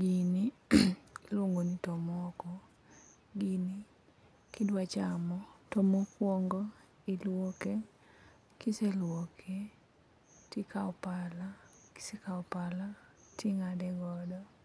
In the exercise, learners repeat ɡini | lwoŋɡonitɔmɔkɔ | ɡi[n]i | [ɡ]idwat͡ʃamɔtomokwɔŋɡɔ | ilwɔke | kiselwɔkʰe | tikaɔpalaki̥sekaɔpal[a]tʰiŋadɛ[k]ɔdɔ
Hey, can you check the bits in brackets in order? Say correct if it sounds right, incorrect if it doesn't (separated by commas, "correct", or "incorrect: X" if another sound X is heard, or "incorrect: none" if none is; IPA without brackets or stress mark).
correct, incorrect: k, correct, incorrect: ɡ